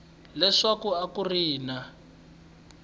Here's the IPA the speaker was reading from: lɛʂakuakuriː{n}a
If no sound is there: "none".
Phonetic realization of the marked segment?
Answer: n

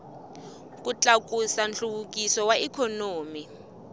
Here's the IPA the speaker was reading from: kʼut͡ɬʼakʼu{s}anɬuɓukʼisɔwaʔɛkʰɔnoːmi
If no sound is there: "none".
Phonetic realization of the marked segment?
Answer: s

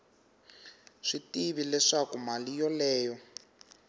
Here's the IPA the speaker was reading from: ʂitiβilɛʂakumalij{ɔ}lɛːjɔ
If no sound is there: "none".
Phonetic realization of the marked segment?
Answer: ɔ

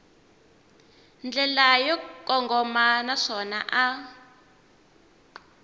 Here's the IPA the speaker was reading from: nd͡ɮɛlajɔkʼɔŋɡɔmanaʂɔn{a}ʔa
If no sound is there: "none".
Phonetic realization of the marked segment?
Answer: a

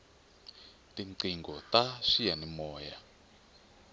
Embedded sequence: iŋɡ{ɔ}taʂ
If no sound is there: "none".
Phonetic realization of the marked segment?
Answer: ɔ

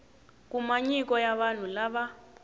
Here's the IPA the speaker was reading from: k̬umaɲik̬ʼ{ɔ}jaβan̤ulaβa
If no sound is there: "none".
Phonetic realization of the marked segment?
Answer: ɔ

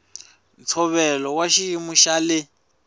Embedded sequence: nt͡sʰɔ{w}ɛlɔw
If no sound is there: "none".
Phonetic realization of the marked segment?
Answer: β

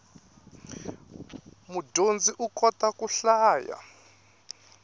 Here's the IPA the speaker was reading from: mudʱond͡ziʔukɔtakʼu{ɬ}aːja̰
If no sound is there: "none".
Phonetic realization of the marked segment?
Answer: ɬ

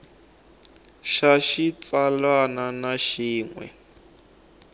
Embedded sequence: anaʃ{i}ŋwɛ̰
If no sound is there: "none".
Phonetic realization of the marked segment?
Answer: iː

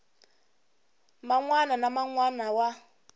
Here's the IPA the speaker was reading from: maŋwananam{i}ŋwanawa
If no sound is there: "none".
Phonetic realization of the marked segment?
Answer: a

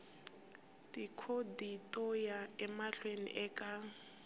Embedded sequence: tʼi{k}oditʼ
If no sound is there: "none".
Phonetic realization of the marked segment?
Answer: kʰ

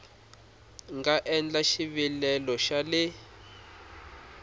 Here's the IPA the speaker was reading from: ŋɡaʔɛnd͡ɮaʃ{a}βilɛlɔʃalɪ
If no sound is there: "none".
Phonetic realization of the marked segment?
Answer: i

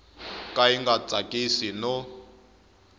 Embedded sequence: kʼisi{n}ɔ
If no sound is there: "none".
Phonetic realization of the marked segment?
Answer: n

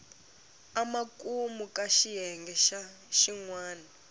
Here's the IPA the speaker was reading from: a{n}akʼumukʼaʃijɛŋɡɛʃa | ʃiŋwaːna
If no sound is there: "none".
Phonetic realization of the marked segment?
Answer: m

